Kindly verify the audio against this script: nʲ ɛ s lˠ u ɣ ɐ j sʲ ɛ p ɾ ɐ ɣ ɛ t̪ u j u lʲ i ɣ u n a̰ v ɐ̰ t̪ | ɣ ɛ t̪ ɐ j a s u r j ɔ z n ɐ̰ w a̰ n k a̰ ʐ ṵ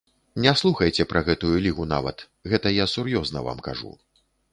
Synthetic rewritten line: nʲ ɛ s lˠ u x ɐ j t͡sʲ ɛ p ɾ ɐ ɣ ɛ t̪ u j u lʲ i ɣ u n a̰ v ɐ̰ t̪ | ɣ ɛ t̪ ɐ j a s u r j ɔ z n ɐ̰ v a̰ m k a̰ ʐ ṵ